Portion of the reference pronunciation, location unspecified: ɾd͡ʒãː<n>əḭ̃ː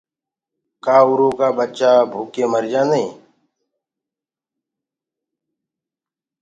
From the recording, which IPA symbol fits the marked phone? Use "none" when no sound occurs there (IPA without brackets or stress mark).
n